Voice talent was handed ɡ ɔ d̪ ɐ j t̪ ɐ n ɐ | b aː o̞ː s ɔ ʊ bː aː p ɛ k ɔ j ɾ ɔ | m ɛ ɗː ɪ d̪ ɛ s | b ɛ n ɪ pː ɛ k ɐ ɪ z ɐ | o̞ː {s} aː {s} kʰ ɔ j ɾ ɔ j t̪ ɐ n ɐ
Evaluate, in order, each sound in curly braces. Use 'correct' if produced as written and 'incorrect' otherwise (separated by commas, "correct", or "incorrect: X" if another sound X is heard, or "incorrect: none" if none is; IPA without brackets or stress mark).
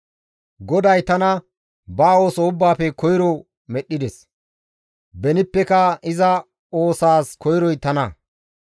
correct, correct